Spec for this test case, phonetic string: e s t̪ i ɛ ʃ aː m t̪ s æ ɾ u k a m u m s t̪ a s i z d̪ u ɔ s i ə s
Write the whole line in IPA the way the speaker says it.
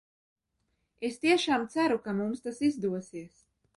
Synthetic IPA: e s t̪ i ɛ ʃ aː m t̪ s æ ɾ u k a m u m s t̪ a s i z d̪ u ɔ s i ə s